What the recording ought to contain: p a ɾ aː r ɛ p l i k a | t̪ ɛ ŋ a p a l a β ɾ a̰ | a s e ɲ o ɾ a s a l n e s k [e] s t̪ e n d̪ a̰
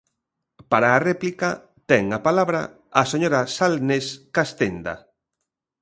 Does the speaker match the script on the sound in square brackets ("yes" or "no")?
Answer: no